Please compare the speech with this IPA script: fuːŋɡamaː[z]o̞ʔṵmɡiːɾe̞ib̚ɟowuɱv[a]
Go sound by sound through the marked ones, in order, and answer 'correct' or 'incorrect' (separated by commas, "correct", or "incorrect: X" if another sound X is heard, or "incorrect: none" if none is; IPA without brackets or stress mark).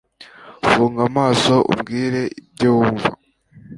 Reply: incorrect: s, correct